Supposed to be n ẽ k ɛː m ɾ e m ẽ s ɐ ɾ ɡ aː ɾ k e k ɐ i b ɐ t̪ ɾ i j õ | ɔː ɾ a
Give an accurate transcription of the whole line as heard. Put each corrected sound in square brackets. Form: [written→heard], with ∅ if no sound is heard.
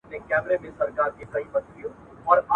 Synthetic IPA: n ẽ k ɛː m ɾ e m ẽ s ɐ ɾ [ɡ→k] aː ɾ k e k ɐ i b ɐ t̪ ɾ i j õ | ɔː ɾ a